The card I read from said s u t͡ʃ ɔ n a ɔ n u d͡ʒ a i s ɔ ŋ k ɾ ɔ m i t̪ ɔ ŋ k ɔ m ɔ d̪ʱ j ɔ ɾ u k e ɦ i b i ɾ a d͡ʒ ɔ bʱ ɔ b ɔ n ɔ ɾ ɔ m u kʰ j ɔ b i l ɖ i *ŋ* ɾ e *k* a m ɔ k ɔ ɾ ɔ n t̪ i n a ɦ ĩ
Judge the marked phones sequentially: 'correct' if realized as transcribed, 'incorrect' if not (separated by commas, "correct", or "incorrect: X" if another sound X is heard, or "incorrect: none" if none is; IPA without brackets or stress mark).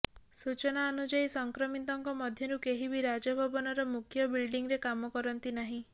correct, correct